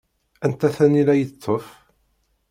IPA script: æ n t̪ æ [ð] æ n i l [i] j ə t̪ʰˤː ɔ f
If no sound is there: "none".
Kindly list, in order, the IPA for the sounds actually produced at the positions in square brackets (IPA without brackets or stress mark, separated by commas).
θ, æ